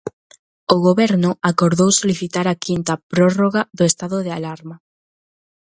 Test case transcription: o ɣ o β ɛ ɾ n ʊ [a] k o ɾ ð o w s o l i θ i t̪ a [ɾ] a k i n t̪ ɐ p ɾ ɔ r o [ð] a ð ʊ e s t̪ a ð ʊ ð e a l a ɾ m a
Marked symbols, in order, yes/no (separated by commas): yes, yes, no